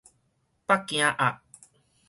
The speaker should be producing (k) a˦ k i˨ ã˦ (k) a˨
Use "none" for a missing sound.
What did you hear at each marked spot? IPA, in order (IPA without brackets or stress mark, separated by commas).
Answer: p, ʔ